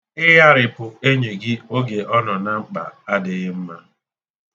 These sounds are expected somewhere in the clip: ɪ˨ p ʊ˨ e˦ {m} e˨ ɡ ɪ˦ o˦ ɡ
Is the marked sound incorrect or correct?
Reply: incorrect